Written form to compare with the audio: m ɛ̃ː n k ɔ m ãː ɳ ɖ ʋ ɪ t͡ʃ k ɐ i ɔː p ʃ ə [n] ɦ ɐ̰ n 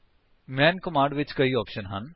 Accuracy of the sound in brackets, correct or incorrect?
correct